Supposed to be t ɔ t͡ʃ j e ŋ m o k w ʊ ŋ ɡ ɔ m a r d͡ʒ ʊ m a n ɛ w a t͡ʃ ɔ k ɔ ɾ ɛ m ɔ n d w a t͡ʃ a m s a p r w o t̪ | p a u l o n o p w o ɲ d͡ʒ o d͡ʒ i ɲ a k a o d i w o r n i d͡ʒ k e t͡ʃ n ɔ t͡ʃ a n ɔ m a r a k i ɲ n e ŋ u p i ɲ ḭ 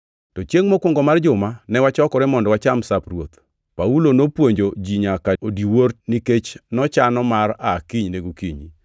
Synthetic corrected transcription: t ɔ t͡ʃ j e ŋ m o k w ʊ ŋ ɡ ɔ m a r d͡ʒ ʊ m a n ɛ w a t͡ʃ ɔ k ɔ ɾ ɛ m ɔ n d w a t͡ʃ a m s a p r w o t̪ | p a u l o n o p w o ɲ d͡ʒ o d͡ʒ i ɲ a k a o d i w o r n i k e t͡ʃ n ɔ t͡ʃ a n ɔ m a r a k i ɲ n e ɡ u k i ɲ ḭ

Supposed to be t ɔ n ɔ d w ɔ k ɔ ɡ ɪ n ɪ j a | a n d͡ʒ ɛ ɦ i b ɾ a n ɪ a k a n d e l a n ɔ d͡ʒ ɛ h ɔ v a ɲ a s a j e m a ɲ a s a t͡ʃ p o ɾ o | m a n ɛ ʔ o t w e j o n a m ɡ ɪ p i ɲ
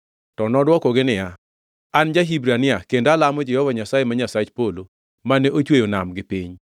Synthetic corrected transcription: t ɔ n ɔ d w ɔ k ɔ ɡ ɪ n ɪ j a | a n d͡ʒ a ɦ i b ɾ a n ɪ a k e n d a l a m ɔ d͡ʒ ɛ h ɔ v a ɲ a s a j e m a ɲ a s a t͡ʃ p o l o | m a n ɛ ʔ o t͡ʃ w e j o n a m ɡ ɪ p i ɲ

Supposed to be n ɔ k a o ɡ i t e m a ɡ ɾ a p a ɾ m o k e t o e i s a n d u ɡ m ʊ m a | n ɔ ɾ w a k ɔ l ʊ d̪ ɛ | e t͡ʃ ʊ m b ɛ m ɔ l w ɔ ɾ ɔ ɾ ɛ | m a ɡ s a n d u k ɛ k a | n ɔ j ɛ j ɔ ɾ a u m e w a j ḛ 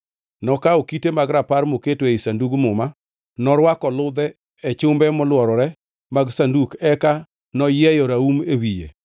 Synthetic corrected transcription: n ɔ k a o k i t e m a ɡ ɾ a p a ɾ m o k e t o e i s a n d u ɡ m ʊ m a | n ɔ ɾ w a k ɔ l ʊ d̪ ɛ | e t͡ʃ ʊ m b ɛ m ɔ l w ɔ ɾ ɔ ɾ ɛ | m a ɡ s a n d u k ɛ k a | n ɔ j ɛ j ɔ ɾ a u m e w i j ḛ

